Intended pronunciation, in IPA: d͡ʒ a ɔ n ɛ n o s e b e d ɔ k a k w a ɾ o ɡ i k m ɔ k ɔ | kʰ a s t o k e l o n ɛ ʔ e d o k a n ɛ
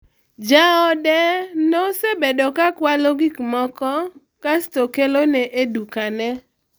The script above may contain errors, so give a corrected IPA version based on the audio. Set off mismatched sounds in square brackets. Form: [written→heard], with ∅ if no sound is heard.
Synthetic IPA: d͡ʒ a ɔ [n→d] ɛ n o s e b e d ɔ k a k w a [ɾ→l] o ɡ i k m ɔ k ɔ | [kʰ→k] a s t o k e l o n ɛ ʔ e d [o→u] k a n ɛ